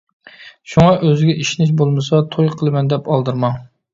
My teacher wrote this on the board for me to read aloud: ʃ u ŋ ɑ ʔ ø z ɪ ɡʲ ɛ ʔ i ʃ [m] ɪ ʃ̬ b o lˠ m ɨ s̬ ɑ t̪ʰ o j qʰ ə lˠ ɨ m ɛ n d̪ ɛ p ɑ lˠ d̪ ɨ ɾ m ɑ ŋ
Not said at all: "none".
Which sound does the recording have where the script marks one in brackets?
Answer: n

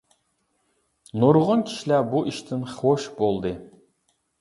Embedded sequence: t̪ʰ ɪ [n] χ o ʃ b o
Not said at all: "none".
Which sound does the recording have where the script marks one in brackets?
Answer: n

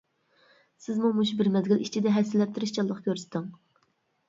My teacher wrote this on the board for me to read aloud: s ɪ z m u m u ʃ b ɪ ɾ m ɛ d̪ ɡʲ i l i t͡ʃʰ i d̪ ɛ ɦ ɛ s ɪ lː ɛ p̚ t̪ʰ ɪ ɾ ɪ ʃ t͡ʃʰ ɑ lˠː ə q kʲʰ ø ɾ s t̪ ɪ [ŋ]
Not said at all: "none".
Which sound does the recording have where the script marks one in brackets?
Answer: ŋ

